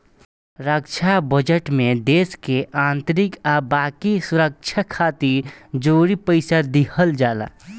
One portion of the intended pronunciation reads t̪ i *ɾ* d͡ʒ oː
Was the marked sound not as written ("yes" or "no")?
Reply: no